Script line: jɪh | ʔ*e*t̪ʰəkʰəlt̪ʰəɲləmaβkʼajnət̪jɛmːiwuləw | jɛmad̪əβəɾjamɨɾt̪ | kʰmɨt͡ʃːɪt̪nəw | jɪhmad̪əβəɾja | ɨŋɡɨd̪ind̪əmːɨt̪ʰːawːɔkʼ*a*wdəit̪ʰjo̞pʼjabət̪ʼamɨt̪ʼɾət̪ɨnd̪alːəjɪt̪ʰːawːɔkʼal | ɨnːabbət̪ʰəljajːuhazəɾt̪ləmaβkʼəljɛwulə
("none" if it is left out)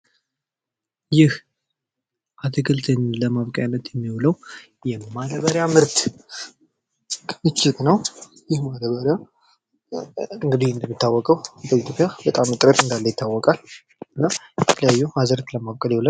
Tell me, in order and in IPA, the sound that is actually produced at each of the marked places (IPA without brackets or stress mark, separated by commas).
a, ə